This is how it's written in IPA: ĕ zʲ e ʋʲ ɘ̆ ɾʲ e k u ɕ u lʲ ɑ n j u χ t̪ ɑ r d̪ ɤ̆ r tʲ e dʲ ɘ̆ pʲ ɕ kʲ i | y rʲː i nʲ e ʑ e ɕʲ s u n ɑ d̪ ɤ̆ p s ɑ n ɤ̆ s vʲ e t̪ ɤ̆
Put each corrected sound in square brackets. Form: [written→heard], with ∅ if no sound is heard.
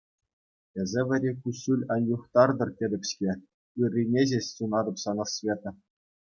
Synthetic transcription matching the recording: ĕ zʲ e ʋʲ ɘ̆ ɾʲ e k u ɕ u lʲ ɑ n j u χ t̪ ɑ r d̪ ɤ̆ r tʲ e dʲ ɘ̆ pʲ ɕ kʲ [i→e] | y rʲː i nʲ e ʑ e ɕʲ s u n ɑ d̪ ɤ̆ p s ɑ n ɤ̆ s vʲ e t̪ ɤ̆